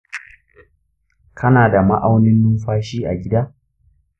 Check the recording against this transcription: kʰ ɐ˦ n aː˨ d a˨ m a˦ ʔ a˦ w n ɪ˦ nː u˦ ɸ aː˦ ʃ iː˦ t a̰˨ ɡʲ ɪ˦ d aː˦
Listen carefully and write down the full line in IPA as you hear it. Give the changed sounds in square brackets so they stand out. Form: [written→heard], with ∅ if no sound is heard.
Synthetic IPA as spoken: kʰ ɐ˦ n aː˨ d a˨ m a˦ ʔ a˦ w n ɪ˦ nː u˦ ɸ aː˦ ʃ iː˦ [t→ʔ] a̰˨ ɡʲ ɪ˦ d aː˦